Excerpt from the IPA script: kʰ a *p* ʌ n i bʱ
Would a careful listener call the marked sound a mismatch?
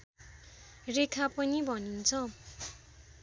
no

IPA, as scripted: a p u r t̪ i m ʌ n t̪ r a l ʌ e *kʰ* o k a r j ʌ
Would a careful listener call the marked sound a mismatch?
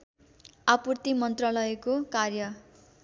yes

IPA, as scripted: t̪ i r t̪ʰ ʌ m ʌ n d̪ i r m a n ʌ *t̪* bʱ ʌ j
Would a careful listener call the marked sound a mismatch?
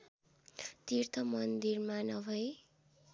yes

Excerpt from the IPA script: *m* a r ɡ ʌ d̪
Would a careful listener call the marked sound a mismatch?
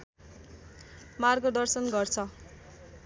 no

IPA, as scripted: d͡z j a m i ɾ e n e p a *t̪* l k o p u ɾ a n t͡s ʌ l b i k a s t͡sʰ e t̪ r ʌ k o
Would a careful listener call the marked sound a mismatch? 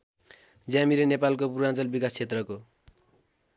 yes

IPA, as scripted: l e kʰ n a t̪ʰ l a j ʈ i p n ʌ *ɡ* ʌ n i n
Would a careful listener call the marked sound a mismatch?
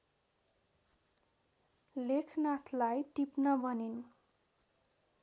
yes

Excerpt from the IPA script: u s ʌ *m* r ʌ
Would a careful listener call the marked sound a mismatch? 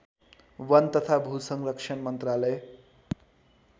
yes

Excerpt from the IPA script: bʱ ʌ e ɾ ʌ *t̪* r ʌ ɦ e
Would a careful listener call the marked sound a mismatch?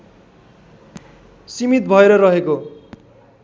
yes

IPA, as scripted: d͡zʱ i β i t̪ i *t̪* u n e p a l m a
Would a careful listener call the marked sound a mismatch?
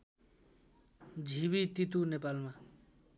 no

